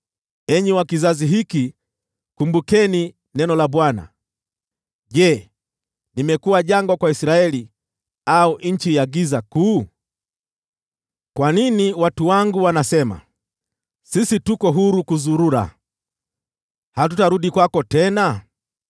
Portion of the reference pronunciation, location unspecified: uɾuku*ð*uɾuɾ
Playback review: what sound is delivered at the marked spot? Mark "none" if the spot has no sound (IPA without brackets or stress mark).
z